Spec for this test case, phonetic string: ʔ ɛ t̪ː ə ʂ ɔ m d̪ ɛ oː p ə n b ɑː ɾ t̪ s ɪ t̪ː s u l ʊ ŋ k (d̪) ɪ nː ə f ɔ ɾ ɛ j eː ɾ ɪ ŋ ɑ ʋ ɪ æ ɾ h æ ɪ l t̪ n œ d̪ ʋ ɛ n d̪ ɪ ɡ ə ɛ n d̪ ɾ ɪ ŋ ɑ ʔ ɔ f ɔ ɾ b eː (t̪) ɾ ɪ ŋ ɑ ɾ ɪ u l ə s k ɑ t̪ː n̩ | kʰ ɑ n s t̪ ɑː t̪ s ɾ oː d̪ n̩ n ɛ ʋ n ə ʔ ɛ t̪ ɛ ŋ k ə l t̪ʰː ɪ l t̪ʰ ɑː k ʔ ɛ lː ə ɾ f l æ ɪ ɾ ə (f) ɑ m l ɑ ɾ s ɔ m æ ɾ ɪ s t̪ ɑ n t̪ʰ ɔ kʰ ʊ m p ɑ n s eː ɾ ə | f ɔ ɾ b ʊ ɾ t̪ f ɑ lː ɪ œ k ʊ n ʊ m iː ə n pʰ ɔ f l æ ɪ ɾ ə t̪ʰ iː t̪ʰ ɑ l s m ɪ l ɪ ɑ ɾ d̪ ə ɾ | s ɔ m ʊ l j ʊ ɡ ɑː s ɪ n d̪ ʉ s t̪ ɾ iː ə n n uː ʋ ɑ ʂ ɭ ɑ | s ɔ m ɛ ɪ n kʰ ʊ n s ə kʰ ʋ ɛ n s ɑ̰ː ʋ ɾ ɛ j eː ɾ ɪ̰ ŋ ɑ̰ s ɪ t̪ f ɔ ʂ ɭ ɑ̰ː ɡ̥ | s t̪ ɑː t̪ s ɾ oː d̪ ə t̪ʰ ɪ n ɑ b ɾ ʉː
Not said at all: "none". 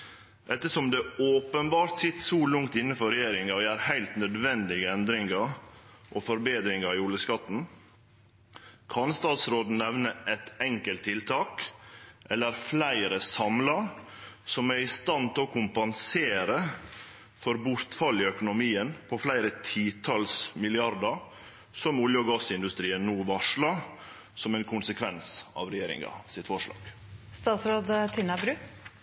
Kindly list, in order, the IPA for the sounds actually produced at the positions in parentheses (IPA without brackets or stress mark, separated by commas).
t̪, d̪, s